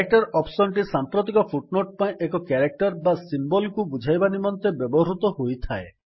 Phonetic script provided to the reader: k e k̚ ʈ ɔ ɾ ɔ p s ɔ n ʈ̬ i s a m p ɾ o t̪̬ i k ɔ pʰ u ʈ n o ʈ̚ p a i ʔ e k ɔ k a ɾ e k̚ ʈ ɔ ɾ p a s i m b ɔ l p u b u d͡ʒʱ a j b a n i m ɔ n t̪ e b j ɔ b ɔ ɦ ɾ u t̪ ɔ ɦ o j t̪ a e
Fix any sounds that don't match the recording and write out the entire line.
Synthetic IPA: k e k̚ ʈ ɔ ɾ ɔ p s ɔ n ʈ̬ i s a m p ɾ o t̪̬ i k ɔ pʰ u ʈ n o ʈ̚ p a ĩ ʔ e k ɔ k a ɾ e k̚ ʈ ɔ ɾ b a s i m b ɔ l k u b u d͡ʒʱ a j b a n i m ɔ n t̪ e b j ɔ b ɔ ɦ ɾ u t̪ ɔ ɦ o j t̪ʰ a e